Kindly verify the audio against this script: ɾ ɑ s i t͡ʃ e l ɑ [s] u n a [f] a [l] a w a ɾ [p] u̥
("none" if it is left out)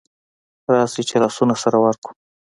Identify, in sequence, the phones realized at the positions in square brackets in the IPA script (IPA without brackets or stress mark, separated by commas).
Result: s, s, ɾ, k